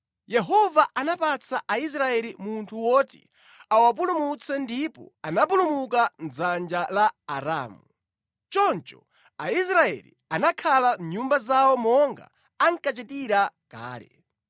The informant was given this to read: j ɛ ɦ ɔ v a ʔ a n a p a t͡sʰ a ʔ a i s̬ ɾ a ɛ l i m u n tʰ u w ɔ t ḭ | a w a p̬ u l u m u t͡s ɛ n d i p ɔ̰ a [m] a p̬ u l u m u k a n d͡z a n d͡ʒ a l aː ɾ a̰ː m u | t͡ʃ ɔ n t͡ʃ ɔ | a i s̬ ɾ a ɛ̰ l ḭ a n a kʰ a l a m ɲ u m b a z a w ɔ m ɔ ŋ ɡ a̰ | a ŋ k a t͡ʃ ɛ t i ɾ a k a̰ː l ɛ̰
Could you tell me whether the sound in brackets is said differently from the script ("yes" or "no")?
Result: yes